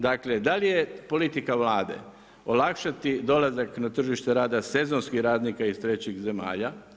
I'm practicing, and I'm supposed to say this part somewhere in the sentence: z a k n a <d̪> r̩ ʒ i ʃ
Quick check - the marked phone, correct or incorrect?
incorrect